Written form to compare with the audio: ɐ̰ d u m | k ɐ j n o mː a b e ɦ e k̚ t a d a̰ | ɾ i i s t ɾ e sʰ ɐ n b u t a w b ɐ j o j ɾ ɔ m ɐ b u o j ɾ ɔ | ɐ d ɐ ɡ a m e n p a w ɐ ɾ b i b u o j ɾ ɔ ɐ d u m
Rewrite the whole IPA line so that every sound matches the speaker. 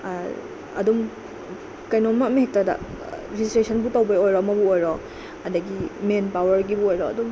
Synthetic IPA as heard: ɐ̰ d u m | k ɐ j n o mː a m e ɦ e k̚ t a d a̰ | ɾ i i s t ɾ e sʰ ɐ n b u t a w b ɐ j o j ɾ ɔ m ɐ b u o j ɾ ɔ | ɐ d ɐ ɡ i m e n p a w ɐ ɾ ɡ i b u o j ɾ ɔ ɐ d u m